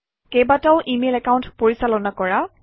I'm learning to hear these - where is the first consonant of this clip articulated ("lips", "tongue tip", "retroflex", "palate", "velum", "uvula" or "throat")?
velum